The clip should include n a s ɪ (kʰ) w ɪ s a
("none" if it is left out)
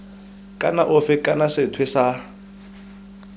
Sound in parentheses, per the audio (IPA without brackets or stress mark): tʰ